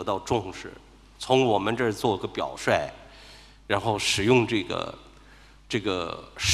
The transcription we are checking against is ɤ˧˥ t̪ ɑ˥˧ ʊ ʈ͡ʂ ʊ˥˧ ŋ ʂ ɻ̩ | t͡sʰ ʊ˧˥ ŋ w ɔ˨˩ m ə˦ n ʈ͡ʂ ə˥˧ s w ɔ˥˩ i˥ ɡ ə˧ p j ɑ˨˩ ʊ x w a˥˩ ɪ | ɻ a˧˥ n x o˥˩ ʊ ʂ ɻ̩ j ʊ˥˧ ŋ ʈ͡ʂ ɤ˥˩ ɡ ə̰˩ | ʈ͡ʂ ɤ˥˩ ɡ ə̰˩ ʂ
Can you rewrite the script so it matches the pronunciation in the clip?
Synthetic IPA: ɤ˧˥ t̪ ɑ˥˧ ʊ ʈ͡ʂ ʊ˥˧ ŋ ʂ ɻ̩ | t͡sʰ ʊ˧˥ ŋ w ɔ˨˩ m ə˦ n ʈ͡ʂ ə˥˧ t͡s w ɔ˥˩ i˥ ɡ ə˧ p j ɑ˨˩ ʊ ʂ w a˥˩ ɪ | ɻ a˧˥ n x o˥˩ ʊ ʂ ɻ̩ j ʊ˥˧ ŋ ʈ͡ʂ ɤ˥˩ ɡ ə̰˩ | ʈ͡ʂ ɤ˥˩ ɡ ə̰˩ ʂ